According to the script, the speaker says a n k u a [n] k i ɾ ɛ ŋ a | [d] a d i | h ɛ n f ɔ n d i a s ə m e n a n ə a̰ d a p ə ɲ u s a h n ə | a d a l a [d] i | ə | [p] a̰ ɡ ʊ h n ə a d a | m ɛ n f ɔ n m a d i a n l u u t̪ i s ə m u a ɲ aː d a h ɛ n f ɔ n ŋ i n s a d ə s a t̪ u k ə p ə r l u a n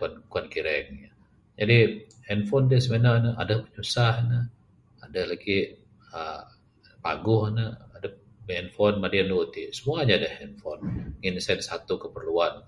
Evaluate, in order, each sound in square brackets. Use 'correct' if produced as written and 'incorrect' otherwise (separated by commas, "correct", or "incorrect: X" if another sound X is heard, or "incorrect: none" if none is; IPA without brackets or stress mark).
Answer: correct, incorrect: d͡ʒ, incorrect: ɡ, correct